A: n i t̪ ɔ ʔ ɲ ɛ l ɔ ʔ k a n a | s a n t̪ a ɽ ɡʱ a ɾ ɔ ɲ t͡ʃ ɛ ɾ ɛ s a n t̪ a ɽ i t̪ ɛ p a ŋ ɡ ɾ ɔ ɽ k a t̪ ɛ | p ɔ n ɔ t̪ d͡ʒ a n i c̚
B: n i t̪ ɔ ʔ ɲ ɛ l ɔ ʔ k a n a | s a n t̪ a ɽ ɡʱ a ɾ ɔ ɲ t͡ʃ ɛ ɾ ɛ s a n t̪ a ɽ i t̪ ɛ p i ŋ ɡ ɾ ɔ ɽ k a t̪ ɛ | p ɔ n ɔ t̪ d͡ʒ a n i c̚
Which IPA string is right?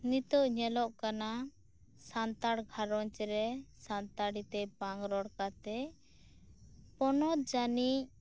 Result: A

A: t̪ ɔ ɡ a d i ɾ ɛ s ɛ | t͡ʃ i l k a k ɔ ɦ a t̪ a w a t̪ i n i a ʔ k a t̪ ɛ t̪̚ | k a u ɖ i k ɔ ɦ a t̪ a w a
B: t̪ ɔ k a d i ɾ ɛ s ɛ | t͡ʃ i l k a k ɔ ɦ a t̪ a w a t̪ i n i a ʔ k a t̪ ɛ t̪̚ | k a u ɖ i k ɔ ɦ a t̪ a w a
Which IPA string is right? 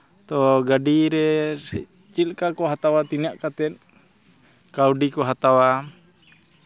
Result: A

